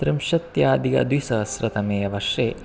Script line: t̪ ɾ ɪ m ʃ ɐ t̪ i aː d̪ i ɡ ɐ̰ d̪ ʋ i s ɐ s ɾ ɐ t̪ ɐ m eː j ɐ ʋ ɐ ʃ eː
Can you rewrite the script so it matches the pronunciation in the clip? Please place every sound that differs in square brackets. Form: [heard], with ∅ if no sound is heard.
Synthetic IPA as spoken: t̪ ɾ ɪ m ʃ ɐ t̪ [j] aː d̪ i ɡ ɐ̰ d̪ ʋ i s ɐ s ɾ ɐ t̪ ɐ m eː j ɐ ʋ ɐ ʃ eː